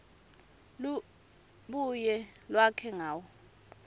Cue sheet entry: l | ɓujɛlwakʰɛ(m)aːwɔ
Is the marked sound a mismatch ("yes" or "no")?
yes